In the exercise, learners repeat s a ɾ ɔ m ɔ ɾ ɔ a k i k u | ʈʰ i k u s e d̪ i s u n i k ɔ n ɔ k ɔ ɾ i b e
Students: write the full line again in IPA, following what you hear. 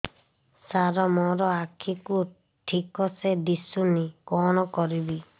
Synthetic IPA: s a ɾ ɔ m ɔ ɾ ɔ a kʰ i k u | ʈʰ i k ɔ s e d̪ i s u n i k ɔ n ɔ k ɔ ɾ i b i